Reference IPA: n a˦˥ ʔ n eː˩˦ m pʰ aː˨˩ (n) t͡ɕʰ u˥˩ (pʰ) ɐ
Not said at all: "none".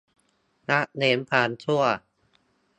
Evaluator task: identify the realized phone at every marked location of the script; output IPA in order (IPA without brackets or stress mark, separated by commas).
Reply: n, none